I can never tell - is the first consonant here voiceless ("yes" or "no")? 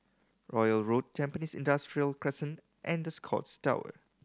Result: no